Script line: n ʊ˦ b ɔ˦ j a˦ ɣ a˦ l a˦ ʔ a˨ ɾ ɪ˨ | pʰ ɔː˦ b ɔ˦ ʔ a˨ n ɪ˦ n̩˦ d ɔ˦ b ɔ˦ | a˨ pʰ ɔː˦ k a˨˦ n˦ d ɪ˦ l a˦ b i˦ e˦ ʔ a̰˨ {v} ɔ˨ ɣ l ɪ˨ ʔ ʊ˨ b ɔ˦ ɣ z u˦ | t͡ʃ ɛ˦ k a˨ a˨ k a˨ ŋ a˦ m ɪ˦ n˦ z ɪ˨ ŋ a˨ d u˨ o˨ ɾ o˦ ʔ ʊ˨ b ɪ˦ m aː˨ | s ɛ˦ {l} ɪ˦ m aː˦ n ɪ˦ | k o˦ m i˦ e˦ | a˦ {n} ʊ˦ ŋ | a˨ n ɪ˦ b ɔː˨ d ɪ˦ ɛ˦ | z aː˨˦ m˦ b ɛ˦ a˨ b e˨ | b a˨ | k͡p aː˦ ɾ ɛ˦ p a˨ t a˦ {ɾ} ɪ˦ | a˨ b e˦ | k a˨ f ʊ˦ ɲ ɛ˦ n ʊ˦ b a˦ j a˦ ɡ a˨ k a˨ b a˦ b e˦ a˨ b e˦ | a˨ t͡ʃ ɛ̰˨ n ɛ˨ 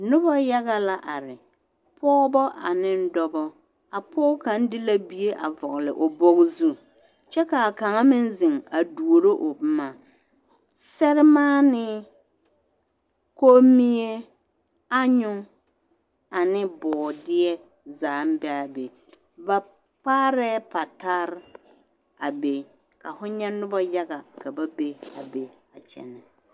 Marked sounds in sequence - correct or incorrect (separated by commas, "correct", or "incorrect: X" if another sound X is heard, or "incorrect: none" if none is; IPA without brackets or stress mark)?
correct, incorrect: ɾ, incorrect: ɲ, correct